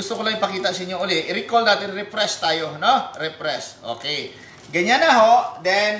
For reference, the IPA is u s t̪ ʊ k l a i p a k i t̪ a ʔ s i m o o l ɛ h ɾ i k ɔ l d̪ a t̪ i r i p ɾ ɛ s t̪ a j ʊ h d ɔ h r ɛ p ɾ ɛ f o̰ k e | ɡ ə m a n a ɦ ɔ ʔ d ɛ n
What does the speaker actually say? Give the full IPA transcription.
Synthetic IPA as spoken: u s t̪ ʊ k l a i p a k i t̪ a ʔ s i ɲ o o l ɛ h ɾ i k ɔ l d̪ a t̪ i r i p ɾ ɛ s t̪ a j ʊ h n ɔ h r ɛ p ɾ ɛ s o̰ k e | ɡ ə ɲ a n a ɦ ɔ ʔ d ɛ n